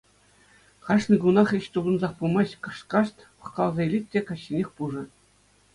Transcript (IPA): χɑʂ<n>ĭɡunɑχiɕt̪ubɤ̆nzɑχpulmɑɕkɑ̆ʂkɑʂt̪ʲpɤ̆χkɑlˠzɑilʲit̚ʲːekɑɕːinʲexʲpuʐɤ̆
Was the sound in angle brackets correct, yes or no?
yes